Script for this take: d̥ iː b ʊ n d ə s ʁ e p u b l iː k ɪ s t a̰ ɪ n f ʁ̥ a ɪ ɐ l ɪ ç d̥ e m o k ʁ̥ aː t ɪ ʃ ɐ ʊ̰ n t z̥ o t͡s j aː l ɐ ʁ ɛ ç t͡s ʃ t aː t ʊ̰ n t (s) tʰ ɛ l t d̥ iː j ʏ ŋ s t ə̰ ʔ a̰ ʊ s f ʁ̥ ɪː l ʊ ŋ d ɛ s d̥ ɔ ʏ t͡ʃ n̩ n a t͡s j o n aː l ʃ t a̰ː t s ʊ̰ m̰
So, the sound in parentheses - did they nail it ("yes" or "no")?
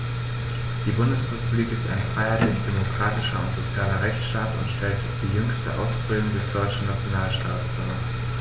no